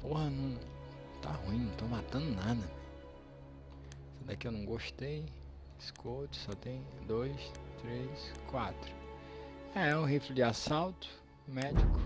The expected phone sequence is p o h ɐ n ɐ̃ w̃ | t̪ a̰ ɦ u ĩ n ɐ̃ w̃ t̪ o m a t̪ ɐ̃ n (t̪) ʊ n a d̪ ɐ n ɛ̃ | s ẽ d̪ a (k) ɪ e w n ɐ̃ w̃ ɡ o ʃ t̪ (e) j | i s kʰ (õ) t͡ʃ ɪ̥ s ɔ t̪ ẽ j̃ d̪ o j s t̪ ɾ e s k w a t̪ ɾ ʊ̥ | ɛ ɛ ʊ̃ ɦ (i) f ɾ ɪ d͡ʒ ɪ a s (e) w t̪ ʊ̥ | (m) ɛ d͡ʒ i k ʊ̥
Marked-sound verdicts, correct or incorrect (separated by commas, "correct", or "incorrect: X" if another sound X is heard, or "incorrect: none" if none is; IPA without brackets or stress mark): incorrect: d̪, correct, correct, incorrect: o, correct, incorrect: a, correct